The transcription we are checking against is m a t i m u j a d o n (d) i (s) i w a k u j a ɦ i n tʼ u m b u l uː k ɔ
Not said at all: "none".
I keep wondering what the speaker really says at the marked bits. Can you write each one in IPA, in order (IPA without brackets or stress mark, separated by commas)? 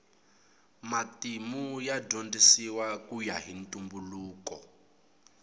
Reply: d, s